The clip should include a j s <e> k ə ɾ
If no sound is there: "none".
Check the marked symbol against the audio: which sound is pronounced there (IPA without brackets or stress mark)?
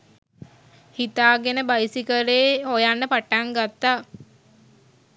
i